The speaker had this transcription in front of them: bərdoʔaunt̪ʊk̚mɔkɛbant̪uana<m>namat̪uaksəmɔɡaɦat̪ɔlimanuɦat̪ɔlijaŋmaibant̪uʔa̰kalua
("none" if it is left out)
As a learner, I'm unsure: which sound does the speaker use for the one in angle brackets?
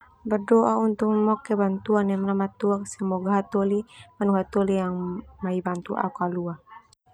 m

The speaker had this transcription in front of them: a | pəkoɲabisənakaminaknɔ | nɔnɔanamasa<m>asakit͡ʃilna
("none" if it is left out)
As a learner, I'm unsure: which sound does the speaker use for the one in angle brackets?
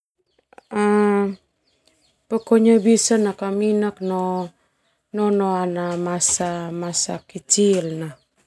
m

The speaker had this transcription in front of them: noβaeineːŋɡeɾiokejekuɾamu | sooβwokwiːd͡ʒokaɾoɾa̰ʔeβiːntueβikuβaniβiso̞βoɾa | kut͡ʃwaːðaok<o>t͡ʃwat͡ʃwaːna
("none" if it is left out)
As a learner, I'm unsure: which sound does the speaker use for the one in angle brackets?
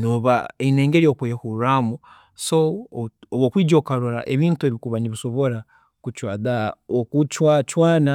u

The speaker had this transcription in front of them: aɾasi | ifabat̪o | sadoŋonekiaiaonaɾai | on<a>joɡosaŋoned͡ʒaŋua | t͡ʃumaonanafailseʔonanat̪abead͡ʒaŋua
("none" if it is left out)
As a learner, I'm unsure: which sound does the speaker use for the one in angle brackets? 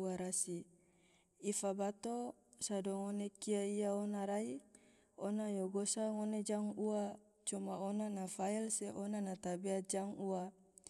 a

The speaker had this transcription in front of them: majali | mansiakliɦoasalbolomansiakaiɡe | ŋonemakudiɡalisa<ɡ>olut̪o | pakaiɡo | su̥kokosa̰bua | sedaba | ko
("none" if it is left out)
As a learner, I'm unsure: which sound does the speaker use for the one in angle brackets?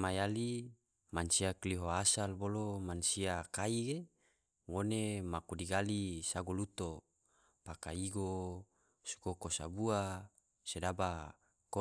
ɡ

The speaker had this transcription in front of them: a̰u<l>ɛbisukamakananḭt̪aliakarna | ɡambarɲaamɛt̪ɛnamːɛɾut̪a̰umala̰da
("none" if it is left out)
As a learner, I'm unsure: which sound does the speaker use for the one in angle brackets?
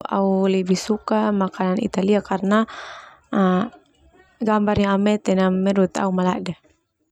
l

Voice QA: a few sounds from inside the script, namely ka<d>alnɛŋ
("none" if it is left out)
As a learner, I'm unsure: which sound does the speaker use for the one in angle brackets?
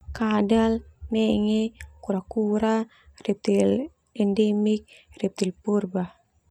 d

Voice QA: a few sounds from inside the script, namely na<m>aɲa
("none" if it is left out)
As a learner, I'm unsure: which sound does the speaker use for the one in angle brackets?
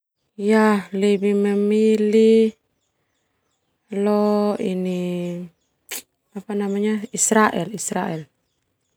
m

